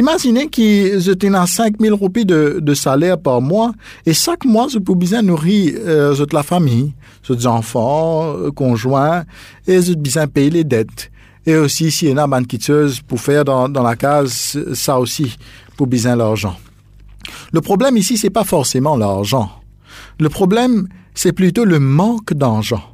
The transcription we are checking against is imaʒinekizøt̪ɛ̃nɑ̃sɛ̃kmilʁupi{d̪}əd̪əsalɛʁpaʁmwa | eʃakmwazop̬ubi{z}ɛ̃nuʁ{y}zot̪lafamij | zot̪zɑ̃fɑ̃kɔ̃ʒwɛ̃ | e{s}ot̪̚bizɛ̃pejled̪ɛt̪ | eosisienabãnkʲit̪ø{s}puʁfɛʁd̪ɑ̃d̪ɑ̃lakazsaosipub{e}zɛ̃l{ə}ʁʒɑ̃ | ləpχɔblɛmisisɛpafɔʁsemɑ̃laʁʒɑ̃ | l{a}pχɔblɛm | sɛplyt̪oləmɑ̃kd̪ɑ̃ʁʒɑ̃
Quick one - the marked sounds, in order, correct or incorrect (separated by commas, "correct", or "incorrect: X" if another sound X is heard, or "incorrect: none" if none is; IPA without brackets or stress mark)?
correct, correct, incorrect: i, incorrect: z, incorrect: z, incorrect: i, incorrect: a, incorrect: ə